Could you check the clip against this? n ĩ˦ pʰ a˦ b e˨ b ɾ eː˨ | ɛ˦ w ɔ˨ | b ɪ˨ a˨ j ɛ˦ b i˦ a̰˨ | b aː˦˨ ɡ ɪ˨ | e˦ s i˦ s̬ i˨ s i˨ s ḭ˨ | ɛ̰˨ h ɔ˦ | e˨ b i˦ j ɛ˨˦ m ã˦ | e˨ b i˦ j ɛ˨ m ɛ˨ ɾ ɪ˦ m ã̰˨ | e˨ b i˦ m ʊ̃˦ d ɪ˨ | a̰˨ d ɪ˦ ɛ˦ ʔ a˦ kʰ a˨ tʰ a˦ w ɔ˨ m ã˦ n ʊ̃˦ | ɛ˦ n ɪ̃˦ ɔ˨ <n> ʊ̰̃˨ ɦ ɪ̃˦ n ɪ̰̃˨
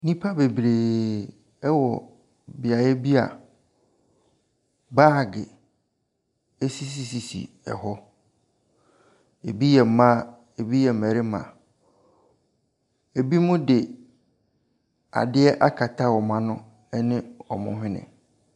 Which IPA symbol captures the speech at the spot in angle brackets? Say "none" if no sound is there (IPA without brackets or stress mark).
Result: m